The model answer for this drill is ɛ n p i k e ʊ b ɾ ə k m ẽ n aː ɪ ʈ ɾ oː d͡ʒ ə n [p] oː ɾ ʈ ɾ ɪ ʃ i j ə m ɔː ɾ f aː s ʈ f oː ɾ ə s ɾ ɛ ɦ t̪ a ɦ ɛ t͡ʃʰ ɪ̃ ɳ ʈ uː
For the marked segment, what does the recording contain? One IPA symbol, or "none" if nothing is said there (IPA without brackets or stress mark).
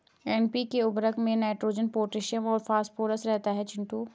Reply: p